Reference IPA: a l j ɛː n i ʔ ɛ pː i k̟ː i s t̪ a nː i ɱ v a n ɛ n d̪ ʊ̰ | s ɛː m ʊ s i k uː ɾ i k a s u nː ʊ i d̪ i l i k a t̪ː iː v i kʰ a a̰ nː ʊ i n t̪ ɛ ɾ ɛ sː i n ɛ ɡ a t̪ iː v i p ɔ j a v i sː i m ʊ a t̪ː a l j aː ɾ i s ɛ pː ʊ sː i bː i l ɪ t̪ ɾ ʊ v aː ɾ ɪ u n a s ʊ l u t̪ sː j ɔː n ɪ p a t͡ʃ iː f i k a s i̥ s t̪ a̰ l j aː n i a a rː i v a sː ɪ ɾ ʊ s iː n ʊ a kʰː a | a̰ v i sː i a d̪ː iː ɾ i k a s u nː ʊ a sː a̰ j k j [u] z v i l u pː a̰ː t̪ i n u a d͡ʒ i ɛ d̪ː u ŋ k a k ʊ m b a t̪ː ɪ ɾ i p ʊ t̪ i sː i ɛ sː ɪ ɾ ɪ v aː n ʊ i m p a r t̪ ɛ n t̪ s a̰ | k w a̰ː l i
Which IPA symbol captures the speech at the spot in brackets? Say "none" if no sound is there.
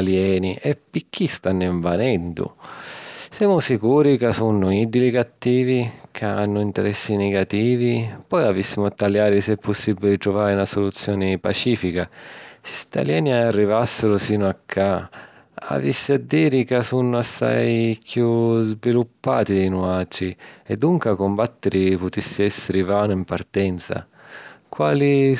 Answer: u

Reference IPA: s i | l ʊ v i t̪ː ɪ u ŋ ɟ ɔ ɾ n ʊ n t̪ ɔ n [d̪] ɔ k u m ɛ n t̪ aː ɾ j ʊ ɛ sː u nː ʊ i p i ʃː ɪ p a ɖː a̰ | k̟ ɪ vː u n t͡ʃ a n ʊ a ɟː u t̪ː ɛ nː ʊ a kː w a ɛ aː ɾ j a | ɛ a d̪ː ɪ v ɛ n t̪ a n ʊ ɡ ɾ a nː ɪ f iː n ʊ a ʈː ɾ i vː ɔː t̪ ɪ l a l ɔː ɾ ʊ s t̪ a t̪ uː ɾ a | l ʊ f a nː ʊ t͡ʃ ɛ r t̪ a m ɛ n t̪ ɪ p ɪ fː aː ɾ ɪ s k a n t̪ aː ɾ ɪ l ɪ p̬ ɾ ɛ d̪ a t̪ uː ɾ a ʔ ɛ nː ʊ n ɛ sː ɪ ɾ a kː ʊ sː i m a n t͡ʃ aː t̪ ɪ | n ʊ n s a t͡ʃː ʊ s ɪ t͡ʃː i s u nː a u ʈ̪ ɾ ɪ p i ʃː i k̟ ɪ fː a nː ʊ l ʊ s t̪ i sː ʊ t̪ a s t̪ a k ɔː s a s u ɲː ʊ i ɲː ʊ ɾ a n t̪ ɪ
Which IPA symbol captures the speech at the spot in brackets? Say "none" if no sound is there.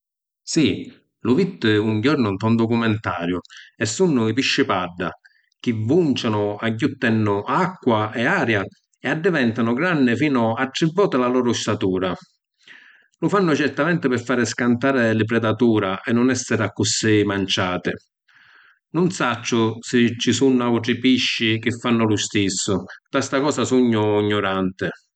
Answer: d̪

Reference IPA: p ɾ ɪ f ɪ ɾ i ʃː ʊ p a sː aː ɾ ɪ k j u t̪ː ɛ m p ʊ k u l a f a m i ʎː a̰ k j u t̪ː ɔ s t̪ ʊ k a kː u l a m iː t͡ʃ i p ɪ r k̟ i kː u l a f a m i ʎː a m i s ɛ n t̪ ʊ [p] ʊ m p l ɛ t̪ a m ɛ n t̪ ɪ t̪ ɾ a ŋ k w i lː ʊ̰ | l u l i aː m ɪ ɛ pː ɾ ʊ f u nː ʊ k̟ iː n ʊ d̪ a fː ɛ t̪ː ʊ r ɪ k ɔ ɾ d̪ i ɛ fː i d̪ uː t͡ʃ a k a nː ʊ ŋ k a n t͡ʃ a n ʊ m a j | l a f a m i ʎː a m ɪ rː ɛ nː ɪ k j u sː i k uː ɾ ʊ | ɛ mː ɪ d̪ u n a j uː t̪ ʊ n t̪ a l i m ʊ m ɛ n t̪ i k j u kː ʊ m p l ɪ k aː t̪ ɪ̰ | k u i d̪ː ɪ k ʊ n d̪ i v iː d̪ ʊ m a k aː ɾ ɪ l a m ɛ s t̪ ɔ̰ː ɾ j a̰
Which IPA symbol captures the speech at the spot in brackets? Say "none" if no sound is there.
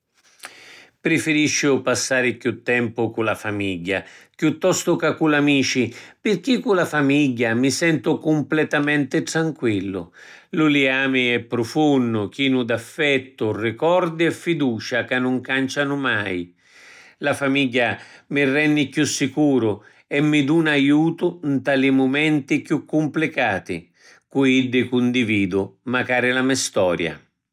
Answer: k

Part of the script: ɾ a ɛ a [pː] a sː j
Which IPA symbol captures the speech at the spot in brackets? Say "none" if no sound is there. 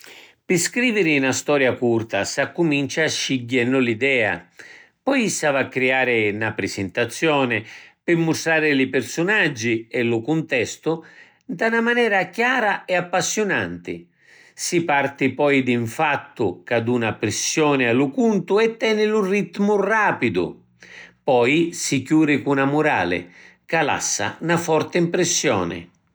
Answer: pː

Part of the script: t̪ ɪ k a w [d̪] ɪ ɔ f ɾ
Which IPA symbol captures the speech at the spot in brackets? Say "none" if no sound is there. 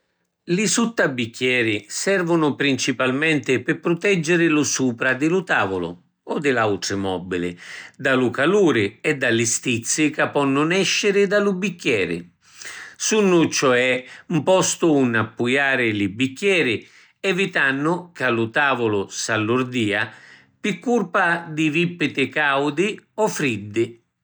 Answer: d̪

